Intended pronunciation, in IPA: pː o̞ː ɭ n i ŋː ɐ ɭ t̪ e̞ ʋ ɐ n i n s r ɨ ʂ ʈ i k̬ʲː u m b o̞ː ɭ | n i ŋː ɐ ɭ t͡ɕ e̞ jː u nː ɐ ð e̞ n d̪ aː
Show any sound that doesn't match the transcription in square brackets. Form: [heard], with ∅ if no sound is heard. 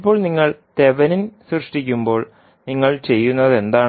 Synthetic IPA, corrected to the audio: pː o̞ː ɭ n i ŋː ɐ ɭ t̪ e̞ ʋ ɐ n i n s r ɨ ʂ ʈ i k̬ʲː u m b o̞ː ɭ | n i ŋː ɐ ɭ t͡ɕ e̞ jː u nː ɐ ð e̞ n d̪ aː